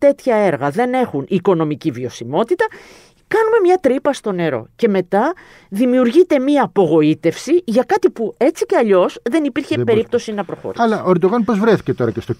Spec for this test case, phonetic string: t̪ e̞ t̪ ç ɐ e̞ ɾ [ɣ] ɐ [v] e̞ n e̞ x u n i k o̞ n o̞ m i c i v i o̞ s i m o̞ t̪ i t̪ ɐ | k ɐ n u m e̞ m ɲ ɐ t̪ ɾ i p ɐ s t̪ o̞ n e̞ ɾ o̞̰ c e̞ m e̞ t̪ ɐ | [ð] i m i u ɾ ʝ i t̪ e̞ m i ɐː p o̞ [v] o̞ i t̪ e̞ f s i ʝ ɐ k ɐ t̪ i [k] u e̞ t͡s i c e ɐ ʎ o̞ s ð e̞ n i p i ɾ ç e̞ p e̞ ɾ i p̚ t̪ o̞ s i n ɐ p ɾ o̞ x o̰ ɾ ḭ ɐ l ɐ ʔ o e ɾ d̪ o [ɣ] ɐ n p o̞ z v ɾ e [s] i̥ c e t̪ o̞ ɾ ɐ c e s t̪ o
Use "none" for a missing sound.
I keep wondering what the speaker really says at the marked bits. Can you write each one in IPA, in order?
ɣ, ð, ð, ɣ, p, ɣ, θ

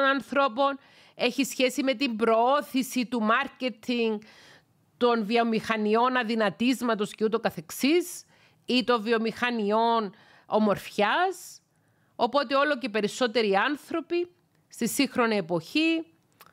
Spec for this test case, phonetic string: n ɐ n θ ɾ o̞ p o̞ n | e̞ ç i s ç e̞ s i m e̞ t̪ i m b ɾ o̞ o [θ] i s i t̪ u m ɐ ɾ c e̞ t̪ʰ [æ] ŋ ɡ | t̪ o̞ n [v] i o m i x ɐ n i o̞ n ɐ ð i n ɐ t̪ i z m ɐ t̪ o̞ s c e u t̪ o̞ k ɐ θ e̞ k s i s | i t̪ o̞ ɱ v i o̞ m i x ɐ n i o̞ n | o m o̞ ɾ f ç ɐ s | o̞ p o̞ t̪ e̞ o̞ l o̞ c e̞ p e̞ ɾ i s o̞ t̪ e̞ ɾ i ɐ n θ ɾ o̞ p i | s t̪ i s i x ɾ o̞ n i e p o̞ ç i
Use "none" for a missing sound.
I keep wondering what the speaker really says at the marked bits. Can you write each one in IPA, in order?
θ, i, v

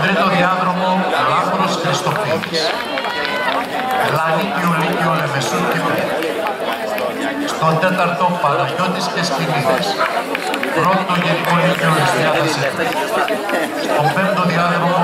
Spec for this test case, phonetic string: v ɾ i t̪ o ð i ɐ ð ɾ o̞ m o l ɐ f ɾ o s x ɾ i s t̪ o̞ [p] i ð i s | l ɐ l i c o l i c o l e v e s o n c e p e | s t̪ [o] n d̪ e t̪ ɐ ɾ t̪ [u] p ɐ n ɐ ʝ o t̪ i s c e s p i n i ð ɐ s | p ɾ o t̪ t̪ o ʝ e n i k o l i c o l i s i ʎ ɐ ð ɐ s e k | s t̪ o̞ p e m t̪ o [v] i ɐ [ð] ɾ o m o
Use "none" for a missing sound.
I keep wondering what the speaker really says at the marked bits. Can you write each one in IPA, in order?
p, o, o, ð, ð

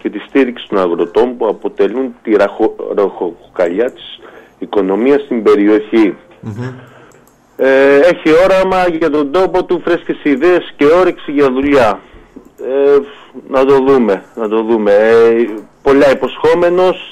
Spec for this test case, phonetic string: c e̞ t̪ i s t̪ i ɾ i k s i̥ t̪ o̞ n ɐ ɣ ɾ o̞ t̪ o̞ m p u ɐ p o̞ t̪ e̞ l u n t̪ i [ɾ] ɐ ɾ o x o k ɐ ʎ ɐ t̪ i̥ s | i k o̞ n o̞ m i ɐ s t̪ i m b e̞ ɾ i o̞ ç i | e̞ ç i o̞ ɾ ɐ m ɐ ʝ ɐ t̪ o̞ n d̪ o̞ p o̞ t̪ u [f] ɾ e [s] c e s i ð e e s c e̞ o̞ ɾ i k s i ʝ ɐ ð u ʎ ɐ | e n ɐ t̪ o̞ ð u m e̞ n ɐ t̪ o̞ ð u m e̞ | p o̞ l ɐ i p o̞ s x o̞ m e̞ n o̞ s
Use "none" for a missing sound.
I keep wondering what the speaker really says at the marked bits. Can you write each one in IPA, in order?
ɾ, f, s

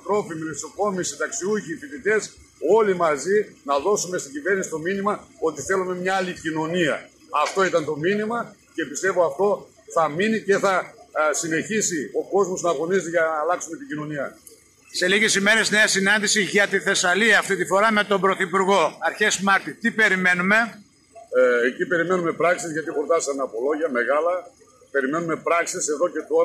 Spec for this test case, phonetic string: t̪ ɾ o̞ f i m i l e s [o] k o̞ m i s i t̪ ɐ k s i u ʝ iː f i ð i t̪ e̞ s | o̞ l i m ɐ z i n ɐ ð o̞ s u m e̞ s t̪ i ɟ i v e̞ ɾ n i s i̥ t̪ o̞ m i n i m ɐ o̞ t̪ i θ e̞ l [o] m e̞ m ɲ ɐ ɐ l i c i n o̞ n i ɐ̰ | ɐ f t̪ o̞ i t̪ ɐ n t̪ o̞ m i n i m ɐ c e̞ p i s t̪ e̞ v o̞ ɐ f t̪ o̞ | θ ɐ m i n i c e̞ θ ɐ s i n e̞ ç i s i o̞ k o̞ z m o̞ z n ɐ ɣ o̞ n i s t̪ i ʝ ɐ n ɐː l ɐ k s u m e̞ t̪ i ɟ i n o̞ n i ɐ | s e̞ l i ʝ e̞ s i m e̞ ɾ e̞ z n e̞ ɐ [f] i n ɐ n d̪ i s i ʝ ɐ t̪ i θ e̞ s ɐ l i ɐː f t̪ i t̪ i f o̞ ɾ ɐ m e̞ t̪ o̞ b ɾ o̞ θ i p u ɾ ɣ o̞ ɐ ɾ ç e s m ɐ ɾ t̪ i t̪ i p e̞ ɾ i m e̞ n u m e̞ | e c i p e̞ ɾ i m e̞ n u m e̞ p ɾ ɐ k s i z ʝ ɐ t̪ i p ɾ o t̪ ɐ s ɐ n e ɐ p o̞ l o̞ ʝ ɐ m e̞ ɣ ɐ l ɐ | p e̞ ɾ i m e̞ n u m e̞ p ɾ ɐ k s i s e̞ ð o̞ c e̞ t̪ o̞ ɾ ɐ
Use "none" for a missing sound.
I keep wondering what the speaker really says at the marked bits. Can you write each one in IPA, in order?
o, u, s

